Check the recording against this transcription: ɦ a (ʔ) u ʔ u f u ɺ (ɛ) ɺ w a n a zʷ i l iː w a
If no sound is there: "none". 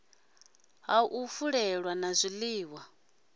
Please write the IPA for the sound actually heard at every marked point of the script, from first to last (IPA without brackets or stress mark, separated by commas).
none, ɛ